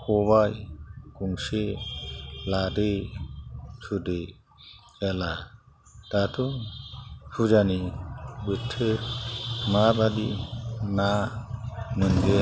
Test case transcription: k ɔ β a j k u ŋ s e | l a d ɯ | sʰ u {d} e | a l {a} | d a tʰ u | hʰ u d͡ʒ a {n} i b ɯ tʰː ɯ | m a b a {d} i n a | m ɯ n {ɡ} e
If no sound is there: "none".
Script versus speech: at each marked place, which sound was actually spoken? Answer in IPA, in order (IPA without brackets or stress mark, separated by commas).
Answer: d, a, n, d, ɡ